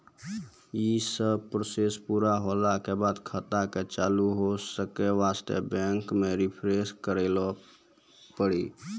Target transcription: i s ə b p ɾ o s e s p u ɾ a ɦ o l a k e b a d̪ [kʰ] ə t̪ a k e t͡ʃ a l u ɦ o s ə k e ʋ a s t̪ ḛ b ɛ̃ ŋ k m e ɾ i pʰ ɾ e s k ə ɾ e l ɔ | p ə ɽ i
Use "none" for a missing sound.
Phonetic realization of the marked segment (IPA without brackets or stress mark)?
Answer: kʰ